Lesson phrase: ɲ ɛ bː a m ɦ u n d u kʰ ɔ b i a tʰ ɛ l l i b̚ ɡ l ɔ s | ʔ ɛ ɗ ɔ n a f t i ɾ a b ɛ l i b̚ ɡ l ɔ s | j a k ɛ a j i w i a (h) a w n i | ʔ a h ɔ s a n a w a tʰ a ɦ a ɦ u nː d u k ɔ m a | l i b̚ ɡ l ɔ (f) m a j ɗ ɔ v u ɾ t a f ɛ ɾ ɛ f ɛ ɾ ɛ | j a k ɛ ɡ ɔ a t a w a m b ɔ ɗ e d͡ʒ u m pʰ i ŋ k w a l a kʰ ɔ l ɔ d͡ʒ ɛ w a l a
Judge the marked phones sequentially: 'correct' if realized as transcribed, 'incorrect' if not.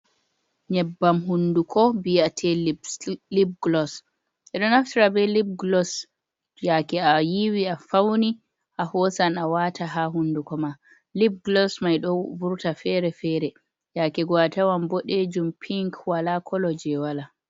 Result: incorrect, incorrect

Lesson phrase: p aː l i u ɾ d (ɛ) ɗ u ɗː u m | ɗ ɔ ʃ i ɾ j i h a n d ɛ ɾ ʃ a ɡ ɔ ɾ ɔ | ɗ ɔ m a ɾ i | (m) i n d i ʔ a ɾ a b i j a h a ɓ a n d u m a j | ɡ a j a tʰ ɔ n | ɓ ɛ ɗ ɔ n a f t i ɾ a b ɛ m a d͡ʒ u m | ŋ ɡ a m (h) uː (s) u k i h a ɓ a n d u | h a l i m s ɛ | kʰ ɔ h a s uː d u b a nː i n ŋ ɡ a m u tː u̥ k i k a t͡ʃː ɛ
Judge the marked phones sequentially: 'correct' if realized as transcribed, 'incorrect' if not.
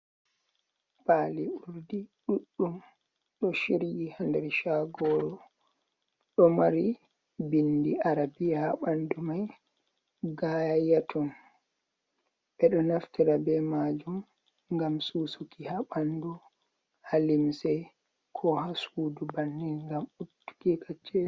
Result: incorrect, incorrect, incorrect, correct

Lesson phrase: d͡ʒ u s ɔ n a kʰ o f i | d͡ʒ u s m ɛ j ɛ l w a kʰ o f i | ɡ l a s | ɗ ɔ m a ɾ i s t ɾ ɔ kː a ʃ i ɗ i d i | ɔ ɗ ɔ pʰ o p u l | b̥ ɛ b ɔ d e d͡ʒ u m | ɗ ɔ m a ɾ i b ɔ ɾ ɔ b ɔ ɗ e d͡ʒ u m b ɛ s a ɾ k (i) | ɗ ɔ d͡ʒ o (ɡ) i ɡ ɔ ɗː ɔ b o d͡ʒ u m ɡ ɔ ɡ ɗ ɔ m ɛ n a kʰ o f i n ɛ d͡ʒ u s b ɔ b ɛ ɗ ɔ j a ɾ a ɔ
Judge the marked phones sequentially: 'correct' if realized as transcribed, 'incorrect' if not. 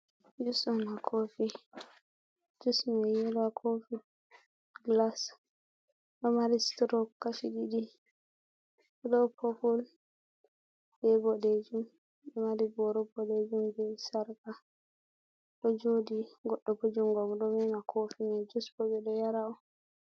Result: incorrect, incorrect

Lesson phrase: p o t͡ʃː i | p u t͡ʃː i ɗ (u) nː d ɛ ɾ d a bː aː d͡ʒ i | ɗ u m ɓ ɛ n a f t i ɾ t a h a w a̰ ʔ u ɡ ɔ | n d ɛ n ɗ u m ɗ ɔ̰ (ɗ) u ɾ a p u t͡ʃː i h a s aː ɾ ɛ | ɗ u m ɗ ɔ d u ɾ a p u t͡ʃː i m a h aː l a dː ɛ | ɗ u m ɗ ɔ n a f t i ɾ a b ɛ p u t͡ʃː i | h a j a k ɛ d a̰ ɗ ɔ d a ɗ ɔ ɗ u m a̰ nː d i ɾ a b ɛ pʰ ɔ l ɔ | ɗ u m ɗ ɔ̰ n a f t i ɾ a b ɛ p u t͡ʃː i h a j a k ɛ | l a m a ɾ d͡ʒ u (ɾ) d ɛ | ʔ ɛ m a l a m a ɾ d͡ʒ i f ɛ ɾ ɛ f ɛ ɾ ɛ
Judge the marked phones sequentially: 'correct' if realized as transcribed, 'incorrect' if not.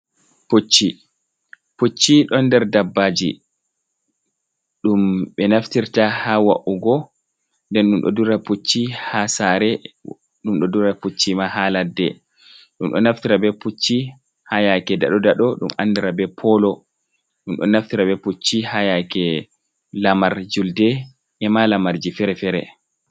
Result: incorrect, incorrect, incorrect

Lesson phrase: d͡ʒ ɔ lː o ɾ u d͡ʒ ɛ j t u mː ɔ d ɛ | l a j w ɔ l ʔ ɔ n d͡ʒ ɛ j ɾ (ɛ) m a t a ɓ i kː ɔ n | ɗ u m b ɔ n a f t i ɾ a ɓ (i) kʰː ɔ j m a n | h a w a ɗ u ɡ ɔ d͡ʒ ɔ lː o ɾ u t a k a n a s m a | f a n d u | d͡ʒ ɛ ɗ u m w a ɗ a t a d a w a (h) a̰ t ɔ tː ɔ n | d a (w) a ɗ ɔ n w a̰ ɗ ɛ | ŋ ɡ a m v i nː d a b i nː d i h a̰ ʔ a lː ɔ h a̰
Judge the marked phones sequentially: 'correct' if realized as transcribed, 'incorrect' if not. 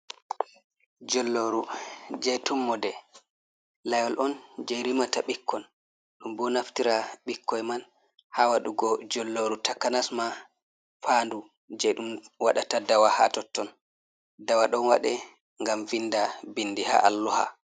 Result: incorrect, correct, correct, correct

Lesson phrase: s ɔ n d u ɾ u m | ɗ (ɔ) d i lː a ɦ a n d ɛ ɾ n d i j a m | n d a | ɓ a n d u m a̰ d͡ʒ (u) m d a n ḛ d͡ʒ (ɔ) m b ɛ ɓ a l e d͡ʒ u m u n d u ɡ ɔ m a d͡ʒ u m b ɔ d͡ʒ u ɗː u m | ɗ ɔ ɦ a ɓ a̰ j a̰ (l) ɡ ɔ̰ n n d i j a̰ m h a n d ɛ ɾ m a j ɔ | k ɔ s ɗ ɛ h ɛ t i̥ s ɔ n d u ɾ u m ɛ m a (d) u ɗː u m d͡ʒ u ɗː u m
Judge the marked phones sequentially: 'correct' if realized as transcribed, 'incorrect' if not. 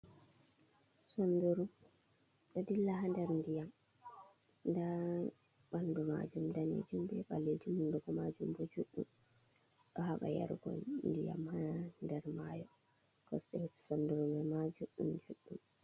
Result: correct, correct, incorrect, incorrect, incorrect

